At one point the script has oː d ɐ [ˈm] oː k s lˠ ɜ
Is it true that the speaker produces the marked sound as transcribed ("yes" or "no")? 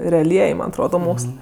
yes